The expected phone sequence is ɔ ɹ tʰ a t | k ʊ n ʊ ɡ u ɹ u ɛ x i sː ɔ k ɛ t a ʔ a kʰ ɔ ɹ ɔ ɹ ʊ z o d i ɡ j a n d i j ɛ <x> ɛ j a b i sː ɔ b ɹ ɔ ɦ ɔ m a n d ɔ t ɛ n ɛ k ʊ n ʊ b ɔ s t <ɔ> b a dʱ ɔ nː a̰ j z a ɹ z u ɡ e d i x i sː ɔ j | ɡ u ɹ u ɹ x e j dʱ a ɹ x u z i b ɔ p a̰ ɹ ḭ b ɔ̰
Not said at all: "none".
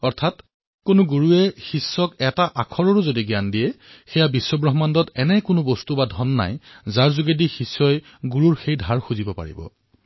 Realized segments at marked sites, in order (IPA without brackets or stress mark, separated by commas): x, u